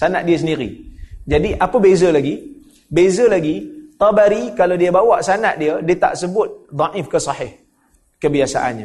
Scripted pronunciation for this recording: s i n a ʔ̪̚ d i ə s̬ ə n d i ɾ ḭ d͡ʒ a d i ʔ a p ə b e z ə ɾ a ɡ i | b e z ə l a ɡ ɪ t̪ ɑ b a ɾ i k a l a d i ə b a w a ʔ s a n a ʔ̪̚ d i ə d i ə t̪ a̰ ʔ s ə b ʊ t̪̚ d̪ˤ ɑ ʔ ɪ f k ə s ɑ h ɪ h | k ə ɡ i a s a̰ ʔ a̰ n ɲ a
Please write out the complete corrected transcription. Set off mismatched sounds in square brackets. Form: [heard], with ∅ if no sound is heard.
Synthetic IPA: s [a] n a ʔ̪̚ d i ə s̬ ə n d i ɾ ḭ d͡ʒ a d i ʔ a p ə b e z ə [l] a ɡ i | b e z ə l a ɡ [i] t̪ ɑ b a ɾ i k a l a d i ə b a w a ʔ s a n a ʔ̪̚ d i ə d i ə t̪ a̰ ʔ s ə b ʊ t̪̚ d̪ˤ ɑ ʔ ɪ f k ə s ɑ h ɪ h | k ə [b] i a s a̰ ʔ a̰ n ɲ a